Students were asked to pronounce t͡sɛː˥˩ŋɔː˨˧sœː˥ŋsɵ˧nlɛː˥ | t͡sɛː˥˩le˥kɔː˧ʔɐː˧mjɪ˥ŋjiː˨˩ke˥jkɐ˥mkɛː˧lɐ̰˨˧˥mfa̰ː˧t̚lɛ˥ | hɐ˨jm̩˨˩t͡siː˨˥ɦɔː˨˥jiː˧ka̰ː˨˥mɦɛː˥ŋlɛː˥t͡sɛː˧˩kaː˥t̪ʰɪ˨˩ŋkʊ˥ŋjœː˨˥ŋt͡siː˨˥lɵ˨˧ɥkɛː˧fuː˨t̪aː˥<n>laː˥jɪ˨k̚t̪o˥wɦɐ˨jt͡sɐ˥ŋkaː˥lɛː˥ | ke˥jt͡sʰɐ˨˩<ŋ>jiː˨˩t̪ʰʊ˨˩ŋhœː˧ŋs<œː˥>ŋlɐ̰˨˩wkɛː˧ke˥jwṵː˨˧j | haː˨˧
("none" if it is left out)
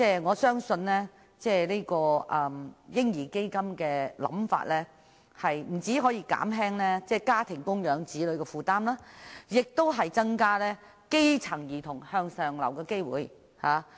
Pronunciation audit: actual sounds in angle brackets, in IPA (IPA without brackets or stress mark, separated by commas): m, ŋ, œː˨